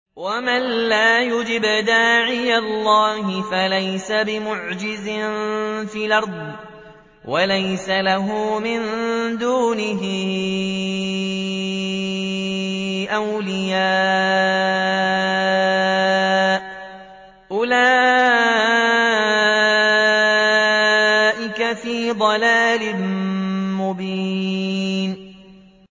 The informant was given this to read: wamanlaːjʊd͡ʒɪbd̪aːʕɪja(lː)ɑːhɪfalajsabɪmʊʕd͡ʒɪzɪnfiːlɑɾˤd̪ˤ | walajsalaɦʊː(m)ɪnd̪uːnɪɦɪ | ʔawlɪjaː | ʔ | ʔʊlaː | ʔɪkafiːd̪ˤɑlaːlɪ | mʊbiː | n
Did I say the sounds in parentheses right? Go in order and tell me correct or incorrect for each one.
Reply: correct, correct

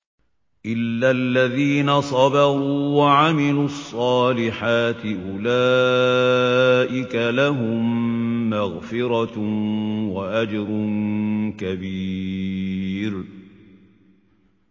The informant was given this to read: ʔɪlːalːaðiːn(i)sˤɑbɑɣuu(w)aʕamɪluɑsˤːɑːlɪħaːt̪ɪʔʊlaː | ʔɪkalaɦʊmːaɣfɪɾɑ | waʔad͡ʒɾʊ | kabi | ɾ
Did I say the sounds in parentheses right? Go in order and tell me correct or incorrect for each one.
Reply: incorrect, correct

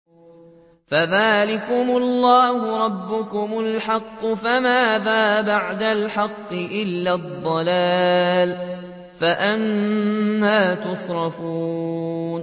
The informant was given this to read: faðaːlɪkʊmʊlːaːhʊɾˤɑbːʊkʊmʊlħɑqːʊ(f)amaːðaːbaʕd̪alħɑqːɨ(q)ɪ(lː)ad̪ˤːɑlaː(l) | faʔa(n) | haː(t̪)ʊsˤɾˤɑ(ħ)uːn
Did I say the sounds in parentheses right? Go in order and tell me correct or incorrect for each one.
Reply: correct, incorrect, correct, correct, correct, correct, incorrect

